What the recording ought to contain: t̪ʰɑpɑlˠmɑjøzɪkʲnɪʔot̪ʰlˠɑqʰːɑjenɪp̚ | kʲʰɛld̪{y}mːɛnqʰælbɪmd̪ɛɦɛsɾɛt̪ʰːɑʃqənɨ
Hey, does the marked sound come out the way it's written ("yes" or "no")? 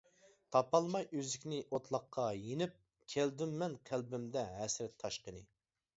yes